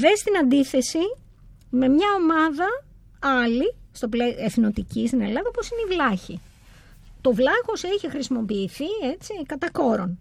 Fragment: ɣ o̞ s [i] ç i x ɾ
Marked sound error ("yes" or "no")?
yes